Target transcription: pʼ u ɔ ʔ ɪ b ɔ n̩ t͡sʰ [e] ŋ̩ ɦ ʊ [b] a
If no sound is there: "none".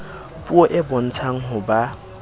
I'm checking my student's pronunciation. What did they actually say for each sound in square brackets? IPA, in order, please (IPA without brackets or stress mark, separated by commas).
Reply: a, b